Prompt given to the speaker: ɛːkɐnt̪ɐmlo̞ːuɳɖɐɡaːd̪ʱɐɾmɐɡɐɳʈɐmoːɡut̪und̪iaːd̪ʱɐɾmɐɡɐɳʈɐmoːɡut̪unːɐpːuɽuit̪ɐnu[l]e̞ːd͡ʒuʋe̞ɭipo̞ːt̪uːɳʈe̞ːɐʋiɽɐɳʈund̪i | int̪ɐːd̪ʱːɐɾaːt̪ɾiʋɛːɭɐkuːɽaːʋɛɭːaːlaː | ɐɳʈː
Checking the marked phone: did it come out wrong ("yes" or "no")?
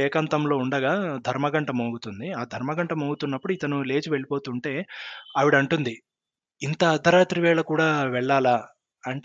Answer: no